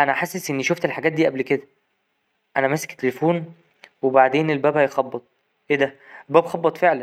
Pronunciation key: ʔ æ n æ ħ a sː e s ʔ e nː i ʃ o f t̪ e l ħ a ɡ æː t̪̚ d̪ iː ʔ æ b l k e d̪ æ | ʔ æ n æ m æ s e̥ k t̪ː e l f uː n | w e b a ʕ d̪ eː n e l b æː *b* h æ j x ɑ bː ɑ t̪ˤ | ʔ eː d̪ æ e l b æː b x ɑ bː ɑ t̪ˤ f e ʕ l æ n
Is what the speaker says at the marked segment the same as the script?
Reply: yes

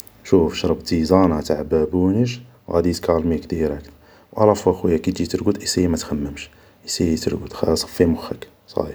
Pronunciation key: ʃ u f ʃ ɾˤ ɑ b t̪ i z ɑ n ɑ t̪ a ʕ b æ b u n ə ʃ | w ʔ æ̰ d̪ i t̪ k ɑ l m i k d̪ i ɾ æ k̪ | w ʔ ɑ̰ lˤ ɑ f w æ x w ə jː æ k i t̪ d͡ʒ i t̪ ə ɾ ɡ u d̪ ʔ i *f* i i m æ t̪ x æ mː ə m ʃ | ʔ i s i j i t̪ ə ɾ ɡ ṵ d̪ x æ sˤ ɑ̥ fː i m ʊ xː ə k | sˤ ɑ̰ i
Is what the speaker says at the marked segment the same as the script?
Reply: no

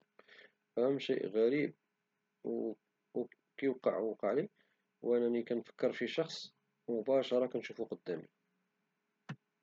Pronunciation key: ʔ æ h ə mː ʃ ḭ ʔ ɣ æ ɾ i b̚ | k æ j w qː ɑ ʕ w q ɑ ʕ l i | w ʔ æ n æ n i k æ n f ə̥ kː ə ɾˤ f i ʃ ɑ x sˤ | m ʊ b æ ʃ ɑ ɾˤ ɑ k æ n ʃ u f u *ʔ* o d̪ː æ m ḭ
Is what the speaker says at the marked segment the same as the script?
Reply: no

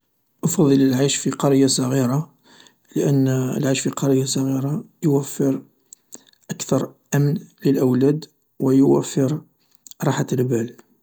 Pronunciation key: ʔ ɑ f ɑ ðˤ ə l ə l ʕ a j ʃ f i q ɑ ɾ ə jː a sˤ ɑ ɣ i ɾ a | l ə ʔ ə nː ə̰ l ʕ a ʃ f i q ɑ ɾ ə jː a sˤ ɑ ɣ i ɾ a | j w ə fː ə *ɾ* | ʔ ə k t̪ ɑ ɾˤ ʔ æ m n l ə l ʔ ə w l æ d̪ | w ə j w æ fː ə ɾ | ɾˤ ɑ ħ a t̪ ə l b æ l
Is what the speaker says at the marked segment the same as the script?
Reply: yes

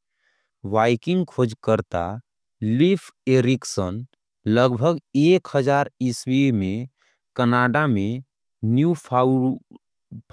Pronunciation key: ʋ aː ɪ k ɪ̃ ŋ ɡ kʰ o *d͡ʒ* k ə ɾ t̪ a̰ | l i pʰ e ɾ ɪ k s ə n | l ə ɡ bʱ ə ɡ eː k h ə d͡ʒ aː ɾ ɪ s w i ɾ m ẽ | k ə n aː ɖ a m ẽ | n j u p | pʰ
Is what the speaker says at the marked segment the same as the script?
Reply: yes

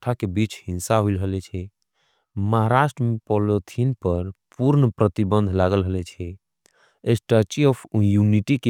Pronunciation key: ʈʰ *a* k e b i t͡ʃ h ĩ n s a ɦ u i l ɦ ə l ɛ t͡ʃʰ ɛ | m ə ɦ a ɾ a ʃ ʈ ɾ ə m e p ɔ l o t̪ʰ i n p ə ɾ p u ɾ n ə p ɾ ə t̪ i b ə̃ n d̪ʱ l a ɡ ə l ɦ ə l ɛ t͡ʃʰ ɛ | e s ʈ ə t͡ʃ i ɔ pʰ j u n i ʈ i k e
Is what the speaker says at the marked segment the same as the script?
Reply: yes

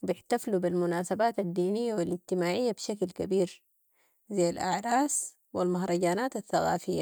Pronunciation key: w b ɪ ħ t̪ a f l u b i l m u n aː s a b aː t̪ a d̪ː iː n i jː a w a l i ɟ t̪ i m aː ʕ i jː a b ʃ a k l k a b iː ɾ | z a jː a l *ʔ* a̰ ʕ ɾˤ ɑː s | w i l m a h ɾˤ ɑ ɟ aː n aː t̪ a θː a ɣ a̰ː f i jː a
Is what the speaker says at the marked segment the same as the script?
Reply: yes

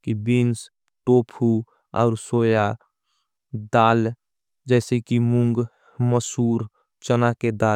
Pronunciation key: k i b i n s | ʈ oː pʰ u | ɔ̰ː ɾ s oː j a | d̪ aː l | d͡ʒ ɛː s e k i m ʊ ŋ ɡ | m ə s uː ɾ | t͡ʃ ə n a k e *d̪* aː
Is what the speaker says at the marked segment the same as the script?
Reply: yes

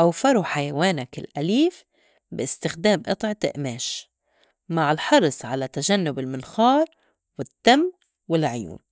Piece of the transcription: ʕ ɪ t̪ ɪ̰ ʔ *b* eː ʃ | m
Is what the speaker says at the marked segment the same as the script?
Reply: no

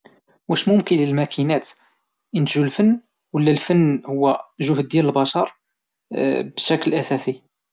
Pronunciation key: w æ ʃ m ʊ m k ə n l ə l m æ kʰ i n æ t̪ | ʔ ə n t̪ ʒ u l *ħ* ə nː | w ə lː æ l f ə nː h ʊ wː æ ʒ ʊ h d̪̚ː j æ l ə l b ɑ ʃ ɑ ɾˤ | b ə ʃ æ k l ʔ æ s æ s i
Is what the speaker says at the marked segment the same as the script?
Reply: no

